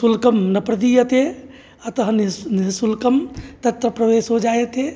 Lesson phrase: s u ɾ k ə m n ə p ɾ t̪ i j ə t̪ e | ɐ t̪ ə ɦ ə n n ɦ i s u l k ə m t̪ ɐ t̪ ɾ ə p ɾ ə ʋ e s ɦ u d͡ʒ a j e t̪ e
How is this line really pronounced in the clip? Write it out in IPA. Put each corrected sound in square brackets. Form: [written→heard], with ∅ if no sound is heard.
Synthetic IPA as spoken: s u [ɾ→l] k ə m n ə p ɾ [t̪→d̪] i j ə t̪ e | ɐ t̪ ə ɦ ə n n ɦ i s u l k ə m t̪ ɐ t̪ ɾ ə p ɾ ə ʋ e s ɦ [u→o] d͡ʒ a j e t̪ e